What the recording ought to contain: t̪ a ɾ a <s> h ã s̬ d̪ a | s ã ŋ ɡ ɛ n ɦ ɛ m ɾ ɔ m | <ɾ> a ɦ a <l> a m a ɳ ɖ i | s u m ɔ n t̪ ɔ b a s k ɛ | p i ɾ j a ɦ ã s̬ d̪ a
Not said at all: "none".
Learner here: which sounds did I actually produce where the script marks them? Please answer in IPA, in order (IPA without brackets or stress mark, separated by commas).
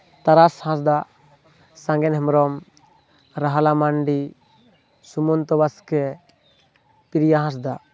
s, ɾ, l